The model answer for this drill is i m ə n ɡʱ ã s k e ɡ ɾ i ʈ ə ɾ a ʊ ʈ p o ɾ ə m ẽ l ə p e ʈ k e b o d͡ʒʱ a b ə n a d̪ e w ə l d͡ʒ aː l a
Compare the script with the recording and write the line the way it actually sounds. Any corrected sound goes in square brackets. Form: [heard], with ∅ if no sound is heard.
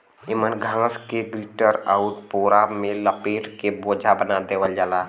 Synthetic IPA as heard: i m ə n ɡʱ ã s k e ɡ ɾ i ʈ ə ɾ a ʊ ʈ p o ɾ [a] m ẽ l ə p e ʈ k e b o d͡ʒʱ a b ə n a d̪ e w ə l d͡ʒ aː l a